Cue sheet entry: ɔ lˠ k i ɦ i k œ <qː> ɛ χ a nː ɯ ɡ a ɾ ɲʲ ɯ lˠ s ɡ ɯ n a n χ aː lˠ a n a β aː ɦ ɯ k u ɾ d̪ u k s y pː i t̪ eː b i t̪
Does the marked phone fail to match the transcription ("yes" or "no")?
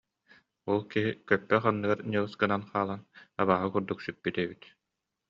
yes